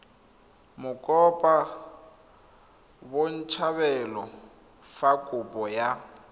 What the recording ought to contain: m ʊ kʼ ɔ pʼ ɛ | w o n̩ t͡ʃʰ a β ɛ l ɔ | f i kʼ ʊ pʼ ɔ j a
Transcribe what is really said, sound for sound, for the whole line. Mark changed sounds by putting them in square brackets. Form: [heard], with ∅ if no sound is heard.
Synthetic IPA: m ʊ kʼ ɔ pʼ [a] | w o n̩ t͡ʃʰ a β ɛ l ɔ | f [a] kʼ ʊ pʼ ɔ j a